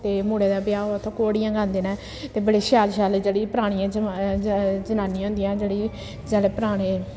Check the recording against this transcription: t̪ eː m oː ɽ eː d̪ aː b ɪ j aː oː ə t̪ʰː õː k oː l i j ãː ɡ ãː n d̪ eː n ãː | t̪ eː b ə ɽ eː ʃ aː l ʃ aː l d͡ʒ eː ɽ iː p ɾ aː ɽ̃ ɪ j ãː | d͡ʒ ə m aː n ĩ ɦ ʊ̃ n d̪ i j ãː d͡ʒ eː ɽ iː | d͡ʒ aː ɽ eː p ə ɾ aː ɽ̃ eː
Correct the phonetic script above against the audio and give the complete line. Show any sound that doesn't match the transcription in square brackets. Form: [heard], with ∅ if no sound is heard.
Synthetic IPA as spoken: t̪ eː m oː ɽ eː d̪ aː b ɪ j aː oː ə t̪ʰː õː k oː [ɽ] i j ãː ɡ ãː n d̪ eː n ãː | t̪ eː b ə ɽ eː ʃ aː l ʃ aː l d͡ʒ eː ɽ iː p ɾ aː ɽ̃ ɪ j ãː | d͡ʒ ə [n] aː n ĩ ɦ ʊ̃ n d̪ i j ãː d͡ʒ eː ɽ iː | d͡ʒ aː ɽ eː p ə ɾ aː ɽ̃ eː